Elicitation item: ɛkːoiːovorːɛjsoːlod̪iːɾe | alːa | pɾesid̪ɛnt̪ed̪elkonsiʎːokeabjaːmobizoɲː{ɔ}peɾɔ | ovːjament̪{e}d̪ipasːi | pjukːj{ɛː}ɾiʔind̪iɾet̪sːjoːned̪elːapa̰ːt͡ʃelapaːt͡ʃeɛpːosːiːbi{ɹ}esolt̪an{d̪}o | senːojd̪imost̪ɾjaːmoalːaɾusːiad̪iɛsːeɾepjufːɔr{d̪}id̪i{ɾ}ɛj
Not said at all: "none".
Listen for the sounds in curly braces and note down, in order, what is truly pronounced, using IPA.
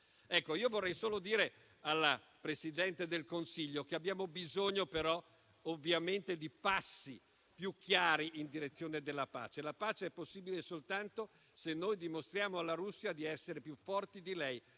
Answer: o, e, aː, l, t̪, t̪, l

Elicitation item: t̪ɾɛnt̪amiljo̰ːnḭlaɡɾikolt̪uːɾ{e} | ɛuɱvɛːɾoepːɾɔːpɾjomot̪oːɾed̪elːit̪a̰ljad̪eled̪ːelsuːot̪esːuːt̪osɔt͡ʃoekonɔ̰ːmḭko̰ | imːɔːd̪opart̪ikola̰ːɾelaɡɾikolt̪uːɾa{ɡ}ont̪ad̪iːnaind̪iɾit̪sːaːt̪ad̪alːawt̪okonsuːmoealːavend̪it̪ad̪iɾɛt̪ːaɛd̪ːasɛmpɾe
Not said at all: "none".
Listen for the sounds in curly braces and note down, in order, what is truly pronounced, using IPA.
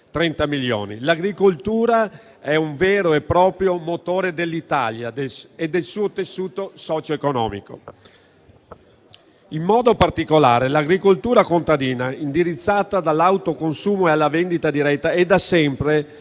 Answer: a, k

